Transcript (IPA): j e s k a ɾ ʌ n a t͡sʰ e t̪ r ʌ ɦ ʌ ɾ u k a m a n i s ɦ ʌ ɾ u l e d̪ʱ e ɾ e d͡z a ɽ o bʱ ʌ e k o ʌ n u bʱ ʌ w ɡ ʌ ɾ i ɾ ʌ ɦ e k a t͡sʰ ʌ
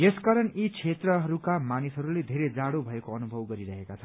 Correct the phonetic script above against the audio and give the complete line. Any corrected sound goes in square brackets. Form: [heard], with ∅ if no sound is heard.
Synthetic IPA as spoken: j e s k a ɾ ʌ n [i] t͡sʰ e t̪ r ʌ ɦ ʌ ɾ u k a m a n i s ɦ ʌ ɾ u l e d̪ʱ e ɾ e d͡z a ɽ o bʱ ʌ e k o ʌ n u bʱ ʌ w ɡ ʌ ɾ i ɾ ʌ ɦ e k a t͡sʰ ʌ

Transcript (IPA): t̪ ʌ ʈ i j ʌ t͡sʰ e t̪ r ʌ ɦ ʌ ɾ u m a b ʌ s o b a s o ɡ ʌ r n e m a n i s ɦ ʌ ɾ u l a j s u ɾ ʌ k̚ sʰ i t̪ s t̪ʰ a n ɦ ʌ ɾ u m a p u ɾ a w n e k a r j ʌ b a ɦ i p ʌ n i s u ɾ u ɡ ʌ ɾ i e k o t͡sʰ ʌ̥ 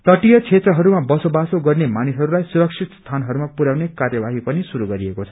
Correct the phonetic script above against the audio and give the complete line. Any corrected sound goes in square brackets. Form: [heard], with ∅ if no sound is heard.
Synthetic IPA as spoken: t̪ ʌ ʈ i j ʌ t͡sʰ e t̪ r ʌ ɦ ʌ ɾ u m a b ʌ s o b a s o ɡ ʌ r n e m a n i s ɦ ʌ ɾ u l a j s u ɾ ʌ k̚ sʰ i t̪ s t̪ʰ a n ɦ ʌ ɾ u m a p u ɾ a w n e k a r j ʌ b a ɦ i p ʌ n i s u ɾ u ɡ ʌ ɾ i e k o t͡sʰ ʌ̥

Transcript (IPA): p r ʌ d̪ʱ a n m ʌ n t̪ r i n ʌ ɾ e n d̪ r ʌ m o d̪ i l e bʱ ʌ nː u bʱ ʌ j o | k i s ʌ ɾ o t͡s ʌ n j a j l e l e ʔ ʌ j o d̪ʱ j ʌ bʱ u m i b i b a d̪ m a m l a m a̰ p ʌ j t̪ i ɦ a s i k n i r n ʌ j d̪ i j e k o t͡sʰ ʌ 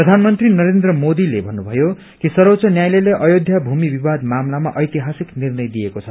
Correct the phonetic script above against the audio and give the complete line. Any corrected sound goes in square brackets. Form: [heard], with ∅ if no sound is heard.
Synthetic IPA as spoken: p r ʌ d̪ʱ a n m ʌ n t̪ r i n ʌ ɾ e n d̪ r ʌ m o d̪ i l e bʱ ʌ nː u bʱ ʌ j o | k i s ʌ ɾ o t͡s ʌ n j a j l e l e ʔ ʌ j o d̪ʱ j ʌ bʱ u m i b i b a d̪ m a m l a m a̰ [ʔ] ʌ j t̪ i ɦ a s i k n i r n ʌ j d̪ i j e k o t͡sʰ ʌ

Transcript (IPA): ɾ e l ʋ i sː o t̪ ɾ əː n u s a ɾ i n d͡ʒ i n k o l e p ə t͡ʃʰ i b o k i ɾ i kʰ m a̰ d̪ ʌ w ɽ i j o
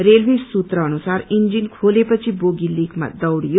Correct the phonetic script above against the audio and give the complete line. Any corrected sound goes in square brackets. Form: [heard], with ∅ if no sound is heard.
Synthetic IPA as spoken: ɾ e l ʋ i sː [u] t̪ ɾ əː n u s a ɾ i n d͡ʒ i n [kʰ] o l e p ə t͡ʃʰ i b o [ɡ] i [l] i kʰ m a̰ d̪ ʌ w ɽ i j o

